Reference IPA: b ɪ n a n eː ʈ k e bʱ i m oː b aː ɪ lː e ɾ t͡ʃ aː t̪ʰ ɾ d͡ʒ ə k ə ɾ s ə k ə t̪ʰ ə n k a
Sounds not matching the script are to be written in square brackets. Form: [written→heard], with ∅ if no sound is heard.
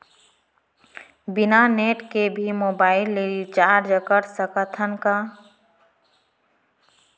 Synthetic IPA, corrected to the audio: b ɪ n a n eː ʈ k e bʱ i m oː b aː ɪ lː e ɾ t͡ʃ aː [t̪ʰ→∅] ɾ d͡ʒ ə k ə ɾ s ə k ə t̪ʰ ə n k a